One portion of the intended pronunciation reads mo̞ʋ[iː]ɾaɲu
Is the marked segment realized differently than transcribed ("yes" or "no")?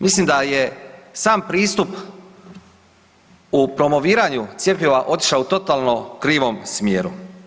no